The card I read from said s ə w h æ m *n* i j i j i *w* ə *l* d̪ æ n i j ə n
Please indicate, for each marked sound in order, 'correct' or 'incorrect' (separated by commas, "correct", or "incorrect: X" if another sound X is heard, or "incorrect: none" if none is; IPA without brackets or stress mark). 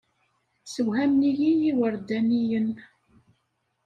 correct, correct, incorrect: ɾ